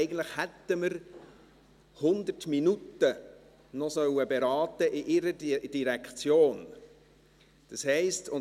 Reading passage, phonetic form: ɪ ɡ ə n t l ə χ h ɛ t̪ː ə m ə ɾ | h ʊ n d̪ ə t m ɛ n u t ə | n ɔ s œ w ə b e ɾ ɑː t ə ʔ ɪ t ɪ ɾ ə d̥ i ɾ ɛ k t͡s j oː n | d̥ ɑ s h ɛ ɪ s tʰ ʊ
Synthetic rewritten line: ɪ ɡ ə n t l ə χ h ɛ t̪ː ə m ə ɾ | h ʊ n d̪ ə t m i n u t ə | n ɔ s œ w ə b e ɾ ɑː t ə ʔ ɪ ʔ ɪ ɾ ə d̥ i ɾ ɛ k t͡s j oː n | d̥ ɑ s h ɛ ɪ s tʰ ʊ